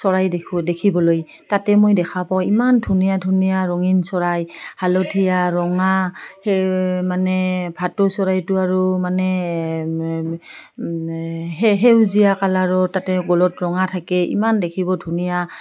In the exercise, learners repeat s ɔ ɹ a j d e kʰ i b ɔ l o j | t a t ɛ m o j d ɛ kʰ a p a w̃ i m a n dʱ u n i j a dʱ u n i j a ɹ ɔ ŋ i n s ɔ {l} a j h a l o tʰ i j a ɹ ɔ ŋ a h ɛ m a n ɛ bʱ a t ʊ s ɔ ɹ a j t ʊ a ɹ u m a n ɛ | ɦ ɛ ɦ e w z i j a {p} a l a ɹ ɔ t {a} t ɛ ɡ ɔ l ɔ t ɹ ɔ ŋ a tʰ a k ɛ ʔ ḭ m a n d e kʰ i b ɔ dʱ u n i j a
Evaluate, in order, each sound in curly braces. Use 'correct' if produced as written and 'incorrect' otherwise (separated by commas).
incorrect, incorrect, correct